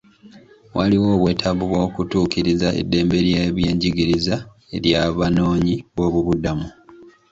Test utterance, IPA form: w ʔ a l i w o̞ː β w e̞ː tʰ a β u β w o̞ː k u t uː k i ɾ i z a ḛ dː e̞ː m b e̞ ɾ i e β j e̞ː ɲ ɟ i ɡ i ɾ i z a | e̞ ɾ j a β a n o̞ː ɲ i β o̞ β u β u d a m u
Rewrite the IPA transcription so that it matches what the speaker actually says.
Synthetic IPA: w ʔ a l i w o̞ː β w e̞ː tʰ a β u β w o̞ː k u t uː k i ɾ i z a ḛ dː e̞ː m b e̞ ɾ j e β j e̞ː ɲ ɟ i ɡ i ɾ i z a | e̞ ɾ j a β a n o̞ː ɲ i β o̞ β u β u d a m u